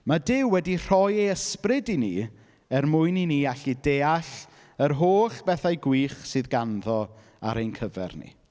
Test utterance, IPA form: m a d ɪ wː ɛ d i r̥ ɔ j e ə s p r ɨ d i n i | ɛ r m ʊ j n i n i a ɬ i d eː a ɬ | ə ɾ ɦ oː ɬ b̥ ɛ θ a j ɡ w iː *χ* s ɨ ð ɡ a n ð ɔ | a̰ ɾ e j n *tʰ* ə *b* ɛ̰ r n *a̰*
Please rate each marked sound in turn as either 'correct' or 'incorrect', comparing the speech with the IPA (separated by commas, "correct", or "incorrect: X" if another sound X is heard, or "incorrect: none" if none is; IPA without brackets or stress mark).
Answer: correct, incorrect: kʰ, incorrect: v, incorrect: ḭ